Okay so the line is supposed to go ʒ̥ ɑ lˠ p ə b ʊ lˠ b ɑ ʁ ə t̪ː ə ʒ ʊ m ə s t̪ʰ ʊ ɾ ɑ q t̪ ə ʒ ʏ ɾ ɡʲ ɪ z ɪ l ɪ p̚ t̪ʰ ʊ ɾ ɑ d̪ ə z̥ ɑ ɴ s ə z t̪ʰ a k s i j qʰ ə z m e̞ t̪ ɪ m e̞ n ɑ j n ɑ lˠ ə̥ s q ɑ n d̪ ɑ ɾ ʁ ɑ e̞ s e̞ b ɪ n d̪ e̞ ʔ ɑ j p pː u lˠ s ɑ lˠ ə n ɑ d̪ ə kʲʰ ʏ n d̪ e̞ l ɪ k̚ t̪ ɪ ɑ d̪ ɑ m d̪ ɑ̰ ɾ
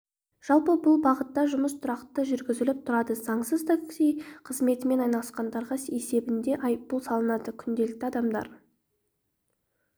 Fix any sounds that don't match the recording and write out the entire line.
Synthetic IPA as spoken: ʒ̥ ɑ lˠ p ə b ʊ lˠ b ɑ ʁ ə t̪ː ɑ ʒ ʊ m ə s t̪ʰ ʊ ɾ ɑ q t̪ ə ʒ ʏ ɾ ɡʲ ɪ z ɪ l ɪ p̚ t̪ʰ ʊ ɾ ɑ d̪ ə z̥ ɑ ɴ s ə z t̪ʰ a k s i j qʰ ə z m e̞ t̪ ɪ m e̞ n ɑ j n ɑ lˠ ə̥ s q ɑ n d̪ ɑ ɾ ʁ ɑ e̞ s e̞ b ɪ n d̪ e̞ ʔ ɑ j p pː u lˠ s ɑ lˠ ə n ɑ d̪ ə kʲʰ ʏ n d̪ e̞ l ɪ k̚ t̪ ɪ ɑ d̪ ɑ m d̪ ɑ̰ ɾ